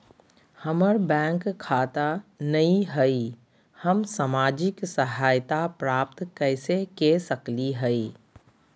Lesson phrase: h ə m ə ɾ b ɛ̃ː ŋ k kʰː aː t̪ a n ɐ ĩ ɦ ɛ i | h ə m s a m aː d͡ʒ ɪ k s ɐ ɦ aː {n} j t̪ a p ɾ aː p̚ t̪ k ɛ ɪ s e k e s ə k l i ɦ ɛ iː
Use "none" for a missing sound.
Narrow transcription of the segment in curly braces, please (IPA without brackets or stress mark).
none